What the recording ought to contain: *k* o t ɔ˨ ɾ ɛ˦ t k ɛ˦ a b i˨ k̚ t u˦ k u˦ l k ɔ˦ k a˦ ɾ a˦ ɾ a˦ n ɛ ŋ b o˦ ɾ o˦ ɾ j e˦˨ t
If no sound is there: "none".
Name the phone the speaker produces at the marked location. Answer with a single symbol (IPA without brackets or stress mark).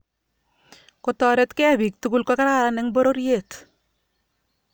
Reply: k